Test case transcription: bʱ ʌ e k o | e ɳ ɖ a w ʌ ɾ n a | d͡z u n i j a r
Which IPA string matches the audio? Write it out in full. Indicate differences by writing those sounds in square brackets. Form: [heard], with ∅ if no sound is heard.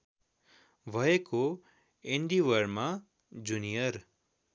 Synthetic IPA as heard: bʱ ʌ e k o | e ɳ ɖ [i] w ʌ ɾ [m] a | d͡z u n i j [ʌ] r